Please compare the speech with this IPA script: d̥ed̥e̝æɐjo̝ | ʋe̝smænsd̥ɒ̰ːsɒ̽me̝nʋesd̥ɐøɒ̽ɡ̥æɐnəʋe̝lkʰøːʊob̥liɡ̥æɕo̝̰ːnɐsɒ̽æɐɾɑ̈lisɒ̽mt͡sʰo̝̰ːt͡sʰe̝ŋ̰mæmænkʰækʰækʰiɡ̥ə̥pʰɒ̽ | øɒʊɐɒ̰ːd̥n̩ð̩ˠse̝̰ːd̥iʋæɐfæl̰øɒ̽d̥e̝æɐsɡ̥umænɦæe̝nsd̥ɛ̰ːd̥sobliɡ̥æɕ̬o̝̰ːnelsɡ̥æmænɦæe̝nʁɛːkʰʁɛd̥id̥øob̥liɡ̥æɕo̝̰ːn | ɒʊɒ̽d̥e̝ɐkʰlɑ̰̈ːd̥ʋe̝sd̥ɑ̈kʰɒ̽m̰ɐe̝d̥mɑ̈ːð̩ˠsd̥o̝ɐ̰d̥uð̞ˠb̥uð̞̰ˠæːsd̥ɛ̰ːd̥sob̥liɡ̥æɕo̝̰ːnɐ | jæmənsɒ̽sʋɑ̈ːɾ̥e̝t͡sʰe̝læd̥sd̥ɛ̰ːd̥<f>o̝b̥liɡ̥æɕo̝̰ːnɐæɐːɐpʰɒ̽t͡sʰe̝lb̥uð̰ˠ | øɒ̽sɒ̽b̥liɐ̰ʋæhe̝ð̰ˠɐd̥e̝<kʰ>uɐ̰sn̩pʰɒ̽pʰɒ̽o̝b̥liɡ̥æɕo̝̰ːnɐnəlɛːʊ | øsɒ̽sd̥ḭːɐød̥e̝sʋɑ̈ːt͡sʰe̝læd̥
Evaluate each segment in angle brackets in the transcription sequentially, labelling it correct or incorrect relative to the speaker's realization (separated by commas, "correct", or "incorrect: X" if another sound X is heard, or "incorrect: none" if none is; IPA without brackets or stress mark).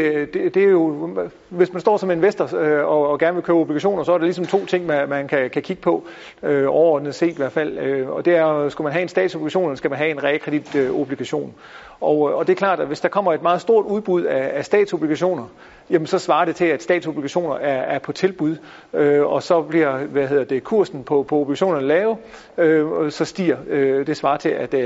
incorrect: s, correct